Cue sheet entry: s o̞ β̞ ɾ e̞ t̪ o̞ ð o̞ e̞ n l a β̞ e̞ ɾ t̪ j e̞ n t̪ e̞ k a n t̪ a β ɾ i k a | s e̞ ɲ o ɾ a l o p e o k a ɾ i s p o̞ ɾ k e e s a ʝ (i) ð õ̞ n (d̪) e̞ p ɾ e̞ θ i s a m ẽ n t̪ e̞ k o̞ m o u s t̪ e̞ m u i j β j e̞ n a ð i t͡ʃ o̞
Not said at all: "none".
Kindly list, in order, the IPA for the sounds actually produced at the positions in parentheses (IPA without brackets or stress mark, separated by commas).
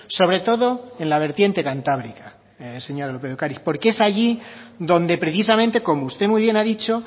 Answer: i, d̪